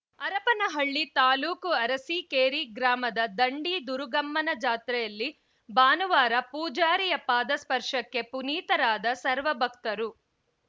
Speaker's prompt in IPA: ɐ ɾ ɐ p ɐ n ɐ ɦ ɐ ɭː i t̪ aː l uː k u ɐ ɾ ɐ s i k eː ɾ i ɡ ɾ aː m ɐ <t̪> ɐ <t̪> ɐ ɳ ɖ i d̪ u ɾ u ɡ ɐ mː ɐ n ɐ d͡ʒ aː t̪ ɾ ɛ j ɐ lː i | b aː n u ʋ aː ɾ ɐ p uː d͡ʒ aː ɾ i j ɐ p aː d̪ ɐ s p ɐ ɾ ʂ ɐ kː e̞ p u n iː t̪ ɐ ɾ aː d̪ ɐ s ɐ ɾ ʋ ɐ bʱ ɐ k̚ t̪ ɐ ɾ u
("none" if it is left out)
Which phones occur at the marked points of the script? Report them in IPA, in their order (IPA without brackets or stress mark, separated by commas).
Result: d̪, d̪